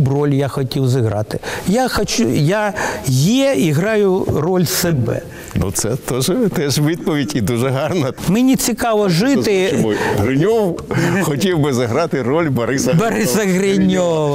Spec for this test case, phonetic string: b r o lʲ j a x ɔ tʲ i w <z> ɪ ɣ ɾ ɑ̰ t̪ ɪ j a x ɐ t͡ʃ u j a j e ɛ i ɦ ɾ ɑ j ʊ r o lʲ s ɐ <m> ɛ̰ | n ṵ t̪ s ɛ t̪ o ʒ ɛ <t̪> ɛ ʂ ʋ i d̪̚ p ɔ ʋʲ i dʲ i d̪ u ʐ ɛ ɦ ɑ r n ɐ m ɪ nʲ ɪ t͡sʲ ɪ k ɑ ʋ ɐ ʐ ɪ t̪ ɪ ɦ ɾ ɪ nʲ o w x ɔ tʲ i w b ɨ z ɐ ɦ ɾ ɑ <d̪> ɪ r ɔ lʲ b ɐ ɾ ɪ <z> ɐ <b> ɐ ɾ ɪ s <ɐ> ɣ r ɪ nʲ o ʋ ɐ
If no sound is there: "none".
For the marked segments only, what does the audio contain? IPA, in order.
z, b, t̪, t̪, s, b, ɐ

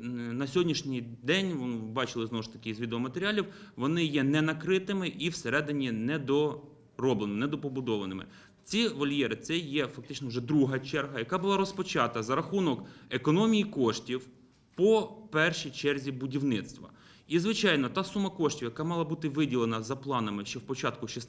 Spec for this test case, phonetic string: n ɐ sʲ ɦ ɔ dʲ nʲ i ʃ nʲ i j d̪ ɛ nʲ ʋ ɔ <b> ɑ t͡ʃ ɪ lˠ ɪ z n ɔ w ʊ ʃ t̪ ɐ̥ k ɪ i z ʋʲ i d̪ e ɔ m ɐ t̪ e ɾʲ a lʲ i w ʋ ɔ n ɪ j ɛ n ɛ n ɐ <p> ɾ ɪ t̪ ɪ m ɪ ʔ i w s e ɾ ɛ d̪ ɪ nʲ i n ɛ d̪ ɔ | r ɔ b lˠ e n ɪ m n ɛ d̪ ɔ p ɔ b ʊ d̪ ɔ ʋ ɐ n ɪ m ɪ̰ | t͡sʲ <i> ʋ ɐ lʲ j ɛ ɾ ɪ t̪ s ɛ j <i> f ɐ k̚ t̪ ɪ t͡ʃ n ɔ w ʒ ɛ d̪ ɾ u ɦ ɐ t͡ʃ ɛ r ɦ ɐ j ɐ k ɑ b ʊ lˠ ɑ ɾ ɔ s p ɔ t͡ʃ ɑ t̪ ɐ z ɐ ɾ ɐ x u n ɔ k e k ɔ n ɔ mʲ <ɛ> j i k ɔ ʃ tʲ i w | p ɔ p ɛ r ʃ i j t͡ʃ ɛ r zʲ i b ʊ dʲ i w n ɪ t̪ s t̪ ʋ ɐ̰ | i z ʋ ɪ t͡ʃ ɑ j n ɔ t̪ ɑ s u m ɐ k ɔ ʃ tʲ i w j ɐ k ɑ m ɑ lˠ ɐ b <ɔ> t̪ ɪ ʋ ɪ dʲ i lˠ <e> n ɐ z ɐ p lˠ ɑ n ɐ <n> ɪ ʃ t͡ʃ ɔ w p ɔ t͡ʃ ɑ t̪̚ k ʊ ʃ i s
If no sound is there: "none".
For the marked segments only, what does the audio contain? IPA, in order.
b, k, i, ɛ, i, u, e, m

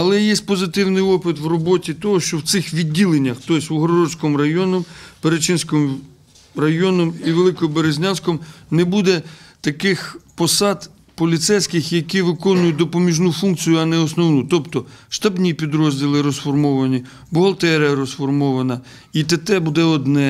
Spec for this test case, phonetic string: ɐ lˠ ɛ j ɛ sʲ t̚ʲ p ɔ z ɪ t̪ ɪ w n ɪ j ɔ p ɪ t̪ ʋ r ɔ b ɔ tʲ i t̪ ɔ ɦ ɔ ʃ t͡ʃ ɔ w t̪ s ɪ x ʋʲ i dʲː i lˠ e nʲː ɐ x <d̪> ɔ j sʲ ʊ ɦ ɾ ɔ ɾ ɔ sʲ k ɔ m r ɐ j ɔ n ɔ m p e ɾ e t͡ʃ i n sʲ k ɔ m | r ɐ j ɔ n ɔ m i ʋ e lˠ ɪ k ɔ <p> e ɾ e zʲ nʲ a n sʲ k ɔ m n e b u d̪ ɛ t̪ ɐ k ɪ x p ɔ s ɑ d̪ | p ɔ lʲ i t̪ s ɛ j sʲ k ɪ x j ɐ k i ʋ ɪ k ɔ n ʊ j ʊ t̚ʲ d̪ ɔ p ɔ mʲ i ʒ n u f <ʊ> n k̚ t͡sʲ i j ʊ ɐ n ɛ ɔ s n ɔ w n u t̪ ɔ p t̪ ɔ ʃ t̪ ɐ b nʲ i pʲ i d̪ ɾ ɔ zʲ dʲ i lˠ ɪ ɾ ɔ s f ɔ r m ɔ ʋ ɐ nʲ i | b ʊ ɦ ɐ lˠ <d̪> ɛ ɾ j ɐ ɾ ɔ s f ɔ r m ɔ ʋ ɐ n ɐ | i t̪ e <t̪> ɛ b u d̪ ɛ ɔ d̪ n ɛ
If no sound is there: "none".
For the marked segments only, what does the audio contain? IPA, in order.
t̪, b, u, t̪, t̪

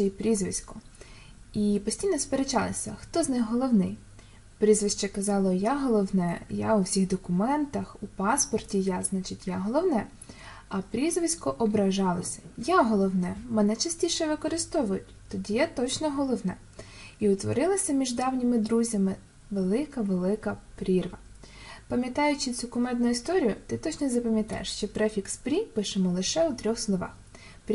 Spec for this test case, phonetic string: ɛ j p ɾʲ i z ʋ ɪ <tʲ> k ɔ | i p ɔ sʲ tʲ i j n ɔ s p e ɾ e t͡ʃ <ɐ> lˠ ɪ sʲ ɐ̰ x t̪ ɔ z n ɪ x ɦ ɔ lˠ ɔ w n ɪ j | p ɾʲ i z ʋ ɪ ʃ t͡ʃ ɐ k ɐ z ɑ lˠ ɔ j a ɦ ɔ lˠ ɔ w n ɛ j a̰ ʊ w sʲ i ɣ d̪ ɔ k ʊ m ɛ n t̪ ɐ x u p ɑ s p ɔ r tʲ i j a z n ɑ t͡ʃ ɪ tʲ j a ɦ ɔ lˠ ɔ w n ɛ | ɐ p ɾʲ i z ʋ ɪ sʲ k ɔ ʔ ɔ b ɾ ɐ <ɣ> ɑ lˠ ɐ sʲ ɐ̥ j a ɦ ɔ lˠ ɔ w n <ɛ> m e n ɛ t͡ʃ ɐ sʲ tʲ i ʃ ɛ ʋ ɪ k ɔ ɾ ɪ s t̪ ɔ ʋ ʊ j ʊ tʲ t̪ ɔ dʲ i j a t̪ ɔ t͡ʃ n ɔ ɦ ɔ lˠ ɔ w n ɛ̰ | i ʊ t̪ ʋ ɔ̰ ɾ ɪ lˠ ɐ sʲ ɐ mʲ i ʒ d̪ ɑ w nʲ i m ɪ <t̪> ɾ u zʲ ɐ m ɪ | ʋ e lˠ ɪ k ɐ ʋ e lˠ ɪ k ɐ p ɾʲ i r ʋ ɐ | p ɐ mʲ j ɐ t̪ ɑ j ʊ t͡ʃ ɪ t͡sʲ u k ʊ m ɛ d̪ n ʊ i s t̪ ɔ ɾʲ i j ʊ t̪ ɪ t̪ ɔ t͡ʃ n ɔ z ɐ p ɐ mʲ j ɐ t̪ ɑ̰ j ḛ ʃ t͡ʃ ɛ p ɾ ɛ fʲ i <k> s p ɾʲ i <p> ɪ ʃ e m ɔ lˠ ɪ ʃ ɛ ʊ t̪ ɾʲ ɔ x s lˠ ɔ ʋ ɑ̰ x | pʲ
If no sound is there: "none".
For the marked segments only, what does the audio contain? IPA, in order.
sʲ, ɑ, ʒ, ɛ, d̪, k, p

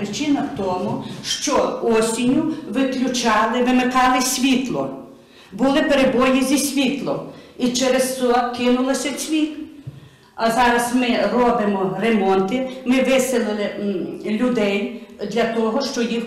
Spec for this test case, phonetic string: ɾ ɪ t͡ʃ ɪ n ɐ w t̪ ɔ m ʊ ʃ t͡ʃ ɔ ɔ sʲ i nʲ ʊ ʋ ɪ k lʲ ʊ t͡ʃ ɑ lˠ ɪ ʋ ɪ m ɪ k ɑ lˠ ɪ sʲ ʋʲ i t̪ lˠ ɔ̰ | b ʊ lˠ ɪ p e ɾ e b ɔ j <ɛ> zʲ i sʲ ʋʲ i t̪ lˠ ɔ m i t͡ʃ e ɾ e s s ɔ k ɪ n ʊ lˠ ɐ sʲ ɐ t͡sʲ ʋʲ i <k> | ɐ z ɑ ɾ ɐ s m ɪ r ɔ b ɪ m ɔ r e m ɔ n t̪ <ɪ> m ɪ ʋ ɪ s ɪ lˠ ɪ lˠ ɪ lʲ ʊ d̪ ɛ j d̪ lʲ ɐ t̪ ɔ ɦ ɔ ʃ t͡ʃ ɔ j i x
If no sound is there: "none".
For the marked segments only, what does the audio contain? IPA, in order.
i, k, ɪ

